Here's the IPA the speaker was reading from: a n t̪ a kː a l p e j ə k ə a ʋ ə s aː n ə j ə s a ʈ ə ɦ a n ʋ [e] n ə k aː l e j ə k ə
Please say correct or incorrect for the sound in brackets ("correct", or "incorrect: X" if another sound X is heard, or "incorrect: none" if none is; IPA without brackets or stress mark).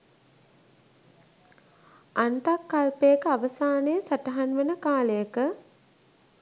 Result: correct